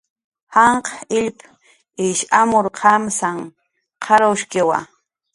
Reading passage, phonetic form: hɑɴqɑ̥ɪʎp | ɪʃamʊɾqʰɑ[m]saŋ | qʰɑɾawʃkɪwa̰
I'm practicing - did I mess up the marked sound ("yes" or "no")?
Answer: no